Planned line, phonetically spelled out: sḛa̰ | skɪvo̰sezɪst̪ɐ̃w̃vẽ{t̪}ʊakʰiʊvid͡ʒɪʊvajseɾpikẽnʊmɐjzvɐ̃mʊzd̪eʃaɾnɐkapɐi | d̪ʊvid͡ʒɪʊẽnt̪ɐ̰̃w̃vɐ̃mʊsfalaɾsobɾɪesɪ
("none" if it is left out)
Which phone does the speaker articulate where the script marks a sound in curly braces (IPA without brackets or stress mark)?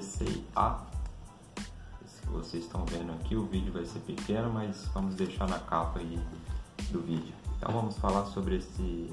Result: d̪